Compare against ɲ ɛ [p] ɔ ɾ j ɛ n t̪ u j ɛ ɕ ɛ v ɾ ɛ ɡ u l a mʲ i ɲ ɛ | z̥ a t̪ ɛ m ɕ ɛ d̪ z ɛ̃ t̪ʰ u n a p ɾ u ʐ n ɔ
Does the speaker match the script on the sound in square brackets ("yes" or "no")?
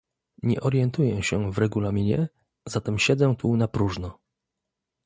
no